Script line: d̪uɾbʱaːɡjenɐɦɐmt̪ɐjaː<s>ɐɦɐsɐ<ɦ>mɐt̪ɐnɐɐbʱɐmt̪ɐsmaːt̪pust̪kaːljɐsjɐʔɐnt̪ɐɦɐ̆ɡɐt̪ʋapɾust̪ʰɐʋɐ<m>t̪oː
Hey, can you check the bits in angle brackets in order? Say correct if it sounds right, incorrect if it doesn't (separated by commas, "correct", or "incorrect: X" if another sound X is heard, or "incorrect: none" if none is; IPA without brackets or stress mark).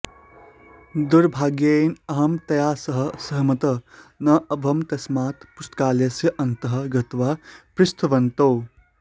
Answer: correct, correct, incorrect: n